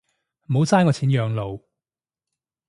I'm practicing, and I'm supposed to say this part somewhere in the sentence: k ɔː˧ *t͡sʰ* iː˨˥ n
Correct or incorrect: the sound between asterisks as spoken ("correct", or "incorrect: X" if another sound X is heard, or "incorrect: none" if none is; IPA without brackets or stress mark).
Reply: correct